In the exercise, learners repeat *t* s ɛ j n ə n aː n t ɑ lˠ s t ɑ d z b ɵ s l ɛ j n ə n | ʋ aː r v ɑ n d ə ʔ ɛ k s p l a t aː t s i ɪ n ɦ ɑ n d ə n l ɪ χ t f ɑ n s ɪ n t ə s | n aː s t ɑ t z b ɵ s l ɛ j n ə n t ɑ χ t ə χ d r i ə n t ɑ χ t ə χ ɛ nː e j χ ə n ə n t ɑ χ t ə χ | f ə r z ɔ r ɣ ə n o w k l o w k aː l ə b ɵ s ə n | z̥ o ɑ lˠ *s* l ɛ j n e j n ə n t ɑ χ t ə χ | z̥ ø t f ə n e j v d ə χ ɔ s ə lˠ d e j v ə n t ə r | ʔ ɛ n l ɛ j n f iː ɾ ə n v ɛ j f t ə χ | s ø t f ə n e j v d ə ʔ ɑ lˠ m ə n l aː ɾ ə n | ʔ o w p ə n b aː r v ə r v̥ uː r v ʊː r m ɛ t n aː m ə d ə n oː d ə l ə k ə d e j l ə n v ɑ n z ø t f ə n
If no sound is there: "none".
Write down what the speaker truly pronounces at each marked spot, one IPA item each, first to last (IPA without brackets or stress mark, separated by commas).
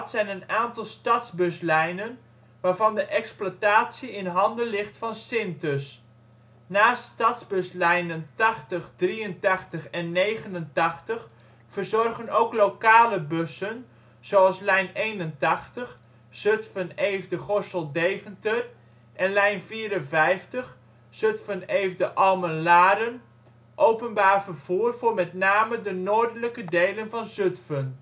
t, s